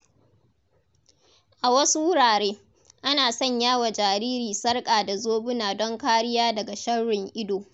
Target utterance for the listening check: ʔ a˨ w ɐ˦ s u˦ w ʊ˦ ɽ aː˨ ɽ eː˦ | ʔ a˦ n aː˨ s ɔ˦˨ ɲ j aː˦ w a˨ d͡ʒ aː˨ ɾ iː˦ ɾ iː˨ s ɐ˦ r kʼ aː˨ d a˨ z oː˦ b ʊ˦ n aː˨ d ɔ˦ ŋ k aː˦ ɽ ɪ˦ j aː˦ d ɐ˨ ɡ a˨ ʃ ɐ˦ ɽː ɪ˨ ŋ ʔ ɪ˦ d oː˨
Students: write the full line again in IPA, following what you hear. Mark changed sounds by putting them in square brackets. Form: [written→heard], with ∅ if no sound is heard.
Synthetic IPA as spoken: ʔ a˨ w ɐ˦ s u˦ w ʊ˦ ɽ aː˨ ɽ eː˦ | ʔ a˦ n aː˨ s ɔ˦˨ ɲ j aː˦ w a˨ d͡ʒ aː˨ ɾ iː˦ ɾ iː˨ s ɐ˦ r kʼ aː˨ d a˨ z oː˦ b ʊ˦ n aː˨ d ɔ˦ ŋ k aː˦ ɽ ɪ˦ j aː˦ d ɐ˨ ɡ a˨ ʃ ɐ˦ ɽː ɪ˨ ŋ ʔ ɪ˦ d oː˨